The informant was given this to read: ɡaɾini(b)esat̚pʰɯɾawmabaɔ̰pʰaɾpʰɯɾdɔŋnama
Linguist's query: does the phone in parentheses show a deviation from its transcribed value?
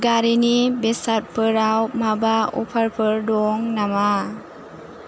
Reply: no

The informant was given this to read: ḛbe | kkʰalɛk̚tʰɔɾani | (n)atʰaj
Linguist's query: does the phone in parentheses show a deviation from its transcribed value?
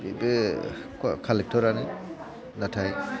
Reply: no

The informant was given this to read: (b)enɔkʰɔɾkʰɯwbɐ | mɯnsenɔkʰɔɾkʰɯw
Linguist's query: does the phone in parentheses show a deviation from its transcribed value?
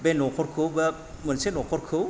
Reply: no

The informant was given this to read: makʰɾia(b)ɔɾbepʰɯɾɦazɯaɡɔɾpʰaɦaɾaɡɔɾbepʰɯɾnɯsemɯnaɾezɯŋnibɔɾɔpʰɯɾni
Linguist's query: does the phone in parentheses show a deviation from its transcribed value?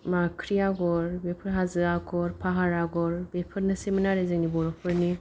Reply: yes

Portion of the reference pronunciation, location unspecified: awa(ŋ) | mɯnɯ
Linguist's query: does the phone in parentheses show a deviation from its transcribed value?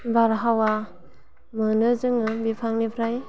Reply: yes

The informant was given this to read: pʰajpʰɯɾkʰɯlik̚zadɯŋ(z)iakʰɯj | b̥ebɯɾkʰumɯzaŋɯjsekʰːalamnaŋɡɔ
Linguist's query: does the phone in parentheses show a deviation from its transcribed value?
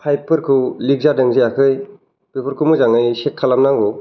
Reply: no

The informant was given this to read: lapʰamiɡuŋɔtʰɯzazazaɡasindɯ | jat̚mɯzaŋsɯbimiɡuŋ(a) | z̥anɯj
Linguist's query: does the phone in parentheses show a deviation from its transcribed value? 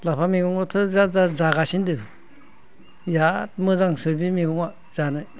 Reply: no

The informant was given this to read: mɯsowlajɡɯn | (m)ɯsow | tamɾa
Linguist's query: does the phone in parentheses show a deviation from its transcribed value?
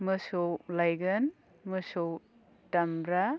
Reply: no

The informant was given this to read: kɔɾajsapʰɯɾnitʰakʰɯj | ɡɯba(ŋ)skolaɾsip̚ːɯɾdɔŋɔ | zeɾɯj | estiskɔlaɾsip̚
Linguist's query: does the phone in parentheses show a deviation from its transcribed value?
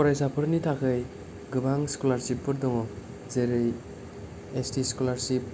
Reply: no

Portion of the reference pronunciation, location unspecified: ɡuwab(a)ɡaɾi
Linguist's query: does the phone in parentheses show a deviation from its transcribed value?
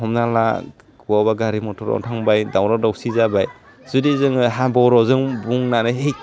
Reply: no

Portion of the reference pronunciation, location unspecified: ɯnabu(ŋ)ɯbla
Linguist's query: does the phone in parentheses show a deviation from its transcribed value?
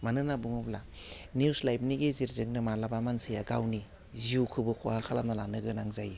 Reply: no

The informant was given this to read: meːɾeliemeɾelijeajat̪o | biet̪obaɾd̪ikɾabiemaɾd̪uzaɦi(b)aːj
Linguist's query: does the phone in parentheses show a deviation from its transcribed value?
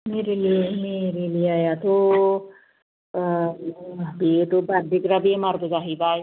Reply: no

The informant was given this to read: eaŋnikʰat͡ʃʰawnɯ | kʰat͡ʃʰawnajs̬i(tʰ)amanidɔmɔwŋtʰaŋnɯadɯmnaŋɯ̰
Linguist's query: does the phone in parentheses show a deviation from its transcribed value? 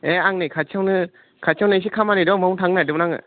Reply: yes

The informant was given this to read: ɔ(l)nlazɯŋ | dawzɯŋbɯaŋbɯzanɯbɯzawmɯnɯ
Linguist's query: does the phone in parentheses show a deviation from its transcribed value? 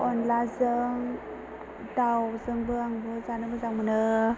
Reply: yes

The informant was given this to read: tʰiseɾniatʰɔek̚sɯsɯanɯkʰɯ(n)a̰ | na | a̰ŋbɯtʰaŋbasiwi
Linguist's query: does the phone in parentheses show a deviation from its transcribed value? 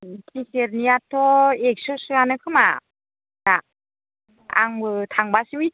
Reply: yes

